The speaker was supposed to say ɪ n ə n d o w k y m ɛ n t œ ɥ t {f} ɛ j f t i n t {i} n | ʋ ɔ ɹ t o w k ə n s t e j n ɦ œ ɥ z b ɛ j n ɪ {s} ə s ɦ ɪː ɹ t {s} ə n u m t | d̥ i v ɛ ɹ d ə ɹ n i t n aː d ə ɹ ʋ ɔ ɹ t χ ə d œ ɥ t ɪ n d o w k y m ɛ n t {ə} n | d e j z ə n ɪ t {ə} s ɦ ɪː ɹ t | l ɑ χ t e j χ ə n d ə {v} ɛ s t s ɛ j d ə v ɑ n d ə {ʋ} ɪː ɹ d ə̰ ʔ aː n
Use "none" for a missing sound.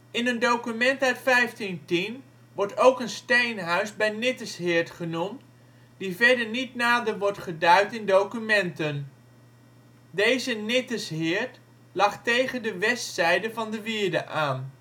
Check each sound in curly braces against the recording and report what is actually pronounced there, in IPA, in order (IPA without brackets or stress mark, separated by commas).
f, i, t, χ, ə, ə, ʋ, ʋ